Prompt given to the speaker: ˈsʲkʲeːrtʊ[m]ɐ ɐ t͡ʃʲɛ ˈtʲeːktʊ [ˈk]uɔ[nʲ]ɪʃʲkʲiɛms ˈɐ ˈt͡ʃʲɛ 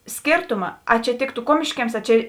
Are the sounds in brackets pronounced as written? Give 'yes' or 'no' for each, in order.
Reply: yes, yes, no

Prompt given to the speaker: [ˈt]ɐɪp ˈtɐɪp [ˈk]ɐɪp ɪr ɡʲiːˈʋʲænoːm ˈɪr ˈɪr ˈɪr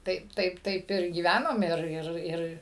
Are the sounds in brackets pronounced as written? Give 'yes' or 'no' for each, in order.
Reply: yes, no

